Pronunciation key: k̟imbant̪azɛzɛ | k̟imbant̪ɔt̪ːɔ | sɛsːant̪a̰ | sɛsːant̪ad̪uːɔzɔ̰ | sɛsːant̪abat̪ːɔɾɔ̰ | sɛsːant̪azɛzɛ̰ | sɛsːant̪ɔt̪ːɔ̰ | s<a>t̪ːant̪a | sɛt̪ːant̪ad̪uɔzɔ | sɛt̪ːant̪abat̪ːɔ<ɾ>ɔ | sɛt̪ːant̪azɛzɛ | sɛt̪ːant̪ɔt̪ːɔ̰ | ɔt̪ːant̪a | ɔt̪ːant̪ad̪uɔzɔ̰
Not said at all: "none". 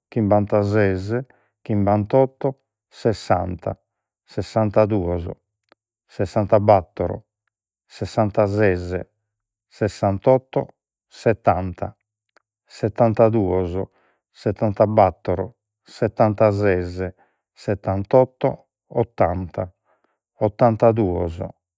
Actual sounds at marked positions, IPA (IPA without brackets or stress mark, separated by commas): ɛ, ɾ